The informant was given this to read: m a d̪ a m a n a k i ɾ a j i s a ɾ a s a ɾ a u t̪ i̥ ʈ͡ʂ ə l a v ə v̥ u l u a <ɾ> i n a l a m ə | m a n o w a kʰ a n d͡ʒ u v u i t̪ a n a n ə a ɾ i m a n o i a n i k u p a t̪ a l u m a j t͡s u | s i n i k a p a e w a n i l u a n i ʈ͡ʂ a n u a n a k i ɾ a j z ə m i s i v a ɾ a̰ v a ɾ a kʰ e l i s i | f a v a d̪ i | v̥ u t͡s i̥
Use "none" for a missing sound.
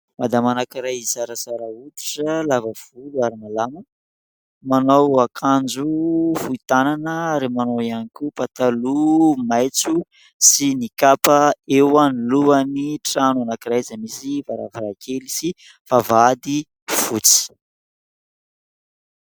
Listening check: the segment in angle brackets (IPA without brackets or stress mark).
ɾ